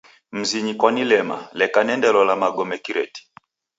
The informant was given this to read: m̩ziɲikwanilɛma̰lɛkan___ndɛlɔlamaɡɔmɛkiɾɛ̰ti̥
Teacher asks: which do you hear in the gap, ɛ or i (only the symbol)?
ɛ